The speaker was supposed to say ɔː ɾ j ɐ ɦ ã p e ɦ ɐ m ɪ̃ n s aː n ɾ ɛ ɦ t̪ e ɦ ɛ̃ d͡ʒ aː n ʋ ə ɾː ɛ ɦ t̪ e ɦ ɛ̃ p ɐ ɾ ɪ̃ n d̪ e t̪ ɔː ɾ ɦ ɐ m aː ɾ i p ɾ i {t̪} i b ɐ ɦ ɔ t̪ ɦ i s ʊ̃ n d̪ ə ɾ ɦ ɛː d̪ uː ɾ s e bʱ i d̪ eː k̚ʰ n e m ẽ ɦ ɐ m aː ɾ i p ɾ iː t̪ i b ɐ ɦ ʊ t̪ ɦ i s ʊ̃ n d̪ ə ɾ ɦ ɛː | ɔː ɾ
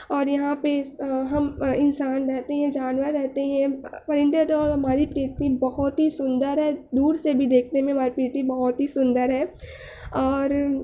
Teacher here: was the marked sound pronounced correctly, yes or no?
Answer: yes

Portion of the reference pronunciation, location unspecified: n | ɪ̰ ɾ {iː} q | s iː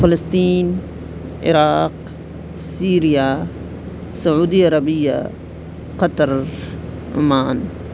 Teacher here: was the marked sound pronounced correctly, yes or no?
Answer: no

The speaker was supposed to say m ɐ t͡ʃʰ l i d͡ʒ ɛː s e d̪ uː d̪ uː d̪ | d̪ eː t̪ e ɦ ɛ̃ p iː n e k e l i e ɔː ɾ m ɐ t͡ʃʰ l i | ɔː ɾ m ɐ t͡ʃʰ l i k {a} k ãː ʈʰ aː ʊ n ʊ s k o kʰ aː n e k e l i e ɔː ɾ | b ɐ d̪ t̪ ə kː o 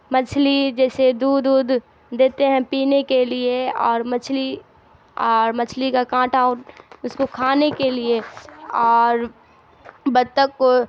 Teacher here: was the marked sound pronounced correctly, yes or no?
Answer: yes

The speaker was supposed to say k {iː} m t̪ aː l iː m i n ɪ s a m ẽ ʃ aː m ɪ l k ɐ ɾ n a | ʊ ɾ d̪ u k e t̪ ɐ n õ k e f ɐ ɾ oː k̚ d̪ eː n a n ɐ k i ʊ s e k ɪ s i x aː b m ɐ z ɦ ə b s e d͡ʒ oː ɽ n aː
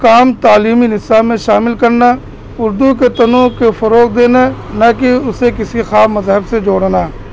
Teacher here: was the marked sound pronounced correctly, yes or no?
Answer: no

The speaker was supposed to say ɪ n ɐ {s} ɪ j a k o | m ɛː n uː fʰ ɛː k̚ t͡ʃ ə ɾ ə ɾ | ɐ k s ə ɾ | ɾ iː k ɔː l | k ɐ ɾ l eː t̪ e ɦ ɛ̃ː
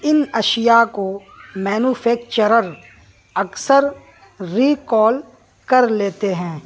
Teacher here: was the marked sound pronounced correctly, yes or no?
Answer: no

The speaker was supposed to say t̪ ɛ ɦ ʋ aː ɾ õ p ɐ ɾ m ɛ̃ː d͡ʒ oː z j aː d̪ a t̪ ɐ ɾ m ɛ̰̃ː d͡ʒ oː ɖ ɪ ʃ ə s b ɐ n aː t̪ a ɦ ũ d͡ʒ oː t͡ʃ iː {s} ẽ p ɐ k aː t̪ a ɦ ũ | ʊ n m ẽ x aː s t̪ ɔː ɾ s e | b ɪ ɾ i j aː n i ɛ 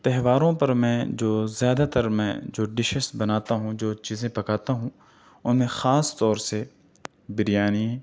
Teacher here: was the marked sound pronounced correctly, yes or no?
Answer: no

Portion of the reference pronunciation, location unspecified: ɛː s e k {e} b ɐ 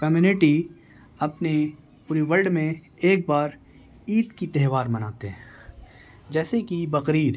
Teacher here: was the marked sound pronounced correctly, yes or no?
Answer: no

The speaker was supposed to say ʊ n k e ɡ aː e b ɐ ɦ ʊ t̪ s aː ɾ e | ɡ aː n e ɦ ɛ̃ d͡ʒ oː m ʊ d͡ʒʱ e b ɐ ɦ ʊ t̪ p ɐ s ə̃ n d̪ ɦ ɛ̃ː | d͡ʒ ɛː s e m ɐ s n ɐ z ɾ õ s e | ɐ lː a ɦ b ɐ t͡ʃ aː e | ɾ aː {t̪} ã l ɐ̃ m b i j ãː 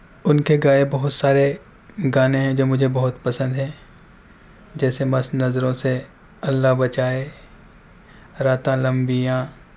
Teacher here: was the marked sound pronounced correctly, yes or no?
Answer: yes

